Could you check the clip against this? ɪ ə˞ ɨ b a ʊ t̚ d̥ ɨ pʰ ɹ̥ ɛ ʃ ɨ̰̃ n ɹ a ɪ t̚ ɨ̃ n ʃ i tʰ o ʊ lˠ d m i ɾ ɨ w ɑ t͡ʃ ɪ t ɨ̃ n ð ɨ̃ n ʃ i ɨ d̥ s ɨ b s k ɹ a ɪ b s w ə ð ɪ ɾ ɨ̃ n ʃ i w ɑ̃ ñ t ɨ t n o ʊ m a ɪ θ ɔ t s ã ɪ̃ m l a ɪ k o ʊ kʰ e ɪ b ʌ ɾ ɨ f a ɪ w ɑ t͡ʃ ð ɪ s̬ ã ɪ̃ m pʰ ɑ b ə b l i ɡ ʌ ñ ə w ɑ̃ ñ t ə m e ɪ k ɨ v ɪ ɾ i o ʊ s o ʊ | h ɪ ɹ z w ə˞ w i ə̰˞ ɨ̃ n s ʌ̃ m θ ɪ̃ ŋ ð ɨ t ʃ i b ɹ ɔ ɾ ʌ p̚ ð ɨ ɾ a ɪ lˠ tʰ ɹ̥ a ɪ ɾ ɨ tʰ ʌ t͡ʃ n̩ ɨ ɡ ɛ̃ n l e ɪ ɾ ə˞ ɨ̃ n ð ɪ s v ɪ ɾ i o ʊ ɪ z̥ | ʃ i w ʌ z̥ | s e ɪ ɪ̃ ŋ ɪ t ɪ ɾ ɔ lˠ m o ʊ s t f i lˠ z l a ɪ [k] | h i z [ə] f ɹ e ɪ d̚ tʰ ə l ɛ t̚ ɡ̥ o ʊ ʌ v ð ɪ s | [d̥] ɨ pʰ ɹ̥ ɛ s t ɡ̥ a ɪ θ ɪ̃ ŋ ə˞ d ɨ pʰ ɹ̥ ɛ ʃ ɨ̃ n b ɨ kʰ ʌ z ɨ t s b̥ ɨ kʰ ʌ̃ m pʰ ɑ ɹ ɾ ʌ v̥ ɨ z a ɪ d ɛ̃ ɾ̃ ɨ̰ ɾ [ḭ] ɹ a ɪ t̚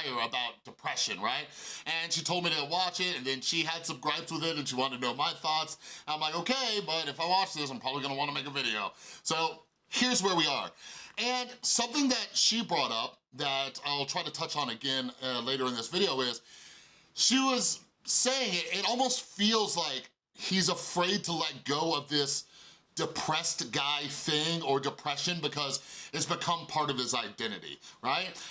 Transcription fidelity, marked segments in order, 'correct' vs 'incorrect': correct, correct, correct, correct

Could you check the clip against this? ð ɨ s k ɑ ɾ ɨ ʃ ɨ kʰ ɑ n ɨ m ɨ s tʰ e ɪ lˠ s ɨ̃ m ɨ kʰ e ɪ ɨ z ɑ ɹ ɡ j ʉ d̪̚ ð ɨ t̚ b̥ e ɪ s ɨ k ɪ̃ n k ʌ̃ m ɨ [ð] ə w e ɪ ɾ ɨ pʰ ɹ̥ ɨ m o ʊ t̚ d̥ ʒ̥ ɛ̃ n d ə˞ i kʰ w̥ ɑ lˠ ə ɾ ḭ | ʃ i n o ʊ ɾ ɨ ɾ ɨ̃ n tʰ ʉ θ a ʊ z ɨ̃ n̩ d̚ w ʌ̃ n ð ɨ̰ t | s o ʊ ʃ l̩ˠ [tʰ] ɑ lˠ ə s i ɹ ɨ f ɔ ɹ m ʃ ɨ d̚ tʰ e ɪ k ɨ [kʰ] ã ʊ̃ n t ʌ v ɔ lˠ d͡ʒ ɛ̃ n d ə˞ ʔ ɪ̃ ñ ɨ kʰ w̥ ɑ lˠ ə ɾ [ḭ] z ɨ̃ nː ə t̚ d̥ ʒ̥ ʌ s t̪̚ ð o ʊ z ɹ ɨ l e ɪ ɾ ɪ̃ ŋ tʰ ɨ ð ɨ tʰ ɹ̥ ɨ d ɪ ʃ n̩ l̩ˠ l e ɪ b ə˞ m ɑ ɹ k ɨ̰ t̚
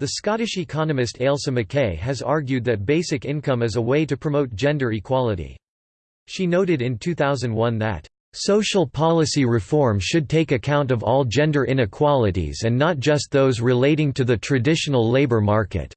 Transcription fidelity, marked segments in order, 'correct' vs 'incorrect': incorrect: z, incorrect: pʰ, correct, correct

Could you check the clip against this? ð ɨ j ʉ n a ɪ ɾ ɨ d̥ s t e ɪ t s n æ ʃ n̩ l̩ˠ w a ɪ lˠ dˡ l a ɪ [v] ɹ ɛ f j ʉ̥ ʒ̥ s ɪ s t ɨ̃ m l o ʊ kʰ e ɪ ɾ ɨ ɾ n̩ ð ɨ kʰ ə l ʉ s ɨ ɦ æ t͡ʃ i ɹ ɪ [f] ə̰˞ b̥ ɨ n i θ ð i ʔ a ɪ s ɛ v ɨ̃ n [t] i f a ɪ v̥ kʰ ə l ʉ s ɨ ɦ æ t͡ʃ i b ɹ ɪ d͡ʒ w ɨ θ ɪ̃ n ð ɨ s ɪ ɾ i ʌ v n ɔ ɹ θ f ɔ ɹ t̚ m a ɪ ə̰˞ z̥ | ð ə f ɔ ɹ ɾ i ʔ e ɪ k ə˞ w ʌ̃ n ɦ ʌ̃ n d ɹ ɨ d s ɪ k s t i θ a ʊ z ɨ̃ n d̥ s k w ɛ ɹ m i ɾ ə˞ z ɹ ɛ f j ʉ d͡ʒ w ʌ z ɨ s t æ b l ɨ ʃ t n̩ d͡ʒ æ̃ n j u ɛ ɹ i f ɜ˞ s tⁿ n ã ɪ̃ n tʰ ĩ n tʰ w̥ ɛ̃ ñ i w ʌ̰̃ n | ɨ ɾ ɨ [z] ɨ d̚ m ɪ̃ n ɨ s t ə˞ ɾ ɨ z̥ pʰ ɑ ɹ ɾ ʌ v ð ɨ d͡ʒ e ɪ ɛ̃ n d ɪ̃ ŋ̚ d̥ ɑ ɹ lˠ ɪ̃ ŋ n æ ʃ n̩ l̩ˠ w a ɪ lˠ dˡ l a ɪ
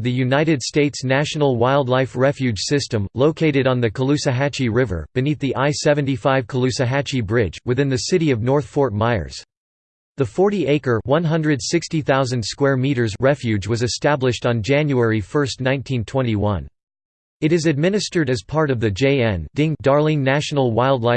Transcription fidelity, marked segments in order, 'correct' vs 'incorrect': incorrect: f, incorrect: v, correct, correct

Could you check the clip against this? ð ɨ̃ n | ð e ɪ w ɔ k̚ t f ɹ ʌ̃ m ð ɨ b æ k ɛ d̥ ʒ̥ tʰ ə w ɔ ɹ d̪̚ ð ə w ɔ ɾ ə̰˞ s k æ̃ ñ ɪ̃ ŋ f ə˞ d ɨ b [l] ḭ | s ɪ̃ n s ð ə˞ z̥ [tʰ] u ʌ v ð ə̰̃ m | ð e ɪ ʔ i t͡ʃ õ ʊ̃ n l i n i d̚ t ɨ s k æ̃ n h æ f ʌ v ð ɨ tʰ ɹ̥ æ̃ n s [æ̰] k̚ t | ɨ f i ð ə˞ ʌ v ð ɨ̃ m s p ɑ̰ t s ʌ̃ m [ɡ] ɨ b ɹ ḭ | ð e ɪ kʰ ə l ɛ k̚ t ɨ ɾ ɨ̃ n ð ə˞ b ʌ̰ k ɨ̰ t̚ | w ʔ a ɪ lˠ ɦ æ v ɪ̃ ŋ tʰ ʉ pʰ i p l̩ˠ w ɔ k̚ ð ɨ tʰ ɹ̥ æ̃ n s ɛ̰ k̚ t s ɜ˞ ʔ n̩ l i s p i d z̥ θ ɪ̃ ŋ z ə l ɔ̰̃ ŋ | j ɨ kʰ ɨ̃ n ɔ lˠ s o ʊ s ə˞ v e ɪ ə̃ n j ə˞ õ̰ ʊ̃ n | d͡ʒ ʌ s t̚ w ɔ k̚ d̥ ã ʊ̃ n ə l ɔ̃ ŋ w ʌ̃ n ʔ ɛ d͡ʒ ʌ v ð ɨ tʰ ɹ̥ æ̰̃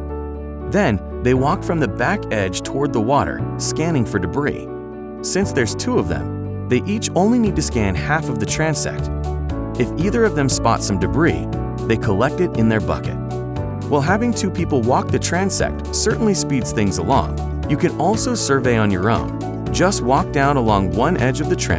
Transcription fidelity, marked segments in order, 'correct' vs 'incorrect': incorrect: ɹ, correct, incorrect: ɛ̰, incorrect: d

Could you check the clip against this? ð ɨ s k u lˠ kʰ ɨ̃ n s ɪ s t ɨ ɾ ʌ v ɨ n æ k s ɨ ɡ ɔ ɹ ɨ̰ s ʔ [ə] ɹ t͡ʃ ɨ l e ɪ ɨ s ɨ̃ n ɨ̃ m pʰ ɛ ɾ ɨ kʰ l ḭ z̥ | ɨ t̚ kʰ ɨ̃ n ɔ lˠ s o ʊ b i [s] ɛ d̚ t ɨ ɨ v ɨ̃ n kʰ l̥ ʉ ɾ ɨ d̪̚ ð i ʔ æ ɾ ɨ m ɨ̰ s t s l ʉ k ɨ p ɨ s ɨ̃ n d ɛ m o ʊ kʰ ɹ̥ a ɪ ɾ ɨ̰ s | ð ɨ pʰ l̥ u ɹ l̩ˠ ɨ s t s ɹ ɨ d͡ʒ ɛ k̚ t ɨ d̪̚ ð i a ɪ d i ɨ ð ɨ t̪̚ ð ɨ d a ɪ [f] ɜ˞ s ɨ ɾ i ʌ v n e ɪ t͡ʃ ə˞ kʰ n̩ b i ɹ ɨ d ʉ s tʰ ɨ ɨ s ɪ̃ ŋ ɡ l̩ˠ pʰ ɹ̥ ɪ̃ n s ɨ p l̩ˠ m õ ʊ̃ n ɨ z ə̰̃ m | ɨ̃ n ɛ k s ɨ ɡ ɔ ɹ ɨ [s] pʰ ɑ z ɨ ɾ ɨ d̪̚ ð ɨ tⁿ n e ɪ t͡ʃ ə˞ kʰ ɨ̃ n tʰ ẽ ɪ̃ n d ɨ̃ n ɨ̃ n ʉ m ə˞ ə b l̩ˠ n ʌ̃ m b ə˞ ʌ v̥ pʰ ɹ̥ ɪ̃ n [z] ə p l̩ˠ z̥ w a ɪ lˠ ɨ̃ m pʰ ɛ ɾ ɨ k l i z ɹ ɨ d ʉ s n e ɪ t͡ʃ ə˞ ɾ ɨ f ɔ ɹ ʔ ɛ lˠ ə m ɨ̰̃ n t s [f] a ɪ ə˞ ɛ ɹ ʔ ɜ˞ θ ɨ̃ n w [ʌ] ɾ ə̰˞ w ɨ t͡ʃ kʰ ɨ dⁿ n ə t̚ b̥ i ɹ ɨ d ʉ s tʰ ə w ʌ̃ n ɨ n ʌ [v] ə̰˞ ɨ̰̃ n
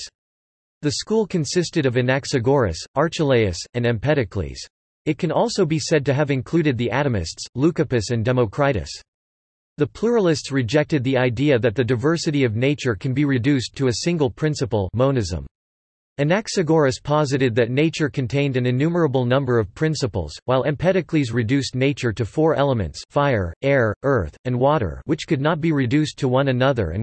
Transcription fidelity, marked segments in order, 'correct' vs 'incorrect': incorrect: ɑ, correct, incorrect: v, correct, incorrect: s, correct, incorrect: ɔ, incorrect: ð

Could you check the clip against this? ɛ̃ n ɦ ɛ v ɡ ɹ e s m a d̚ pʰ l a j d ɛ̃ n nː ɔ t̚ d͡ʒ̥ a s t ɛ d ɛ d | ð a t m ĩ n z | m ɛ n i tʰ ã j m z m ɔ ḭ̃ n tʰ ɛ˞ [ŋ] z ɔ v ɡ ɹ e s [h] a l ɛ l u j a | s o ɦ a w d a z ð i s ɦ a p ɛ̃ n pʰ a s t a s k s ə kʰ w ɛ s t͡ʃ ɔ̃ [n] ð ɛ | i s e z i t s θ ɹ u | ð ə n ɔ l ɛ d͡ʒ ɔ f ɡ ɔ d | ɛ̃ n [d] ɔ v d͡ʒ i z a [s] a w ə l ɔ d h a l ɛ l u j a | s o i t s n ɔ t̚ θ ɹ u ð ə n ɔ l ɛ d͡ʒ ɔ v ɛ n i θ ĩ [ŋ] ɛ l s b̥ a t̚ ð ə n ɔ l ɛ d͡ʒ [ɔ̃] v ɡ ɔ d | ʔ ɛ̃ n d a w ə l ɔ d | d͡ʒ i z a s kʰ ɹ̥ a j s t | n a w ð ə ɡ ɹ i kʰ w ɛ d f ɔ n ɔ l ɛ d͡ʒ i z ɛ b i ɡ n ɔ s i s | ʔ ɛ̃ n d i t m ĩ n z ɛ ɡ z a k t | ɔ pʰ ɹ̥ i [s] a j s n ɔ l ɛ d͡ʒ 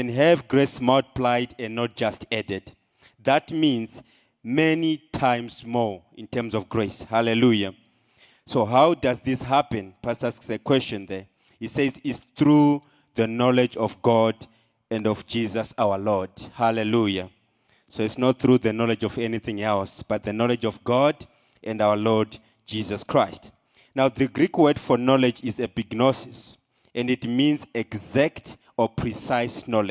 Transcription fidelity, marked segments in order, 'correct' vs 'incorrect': incorrect: m, correct, correct, correct, correct, correct, incorrect: ɔ, correct

